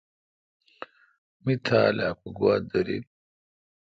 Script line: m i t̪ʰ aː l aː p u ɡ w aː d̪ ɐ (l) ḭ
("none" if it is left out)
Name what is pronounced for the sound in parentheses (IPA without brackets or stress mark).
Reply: ɾ